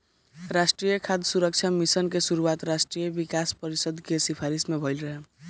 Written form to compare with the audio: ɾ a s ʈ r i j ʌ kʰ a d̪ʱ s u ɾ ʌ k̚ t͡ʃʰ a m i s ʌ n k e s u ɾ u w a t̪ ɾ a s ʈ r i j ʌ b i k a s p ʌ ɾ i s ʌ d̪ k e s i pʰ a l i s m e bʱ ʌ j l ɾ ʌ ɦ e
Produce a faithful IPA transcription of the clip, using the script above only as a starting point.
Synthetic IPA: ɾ a s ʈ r i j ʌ kʰ a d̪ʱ s u ɾ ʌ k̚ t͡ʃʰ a m i s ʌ n k e s u ɾ u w a t̪ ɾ a s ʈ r i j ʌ b i k a s p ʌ ɾ i s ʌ d̪ k e s i pʰ a ɾ i s m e bʱ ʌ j l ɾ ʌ ɦ e